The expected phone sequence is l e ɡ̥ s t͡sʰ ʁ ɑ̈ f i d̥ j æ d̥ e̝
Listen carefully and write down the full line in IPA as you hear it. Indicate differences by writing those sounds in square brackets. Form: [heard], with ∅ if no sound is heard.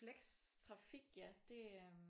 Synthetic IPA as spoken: l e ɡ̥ s t͡sʰ ʁ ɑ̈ f i [ɡ̥] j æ d̥ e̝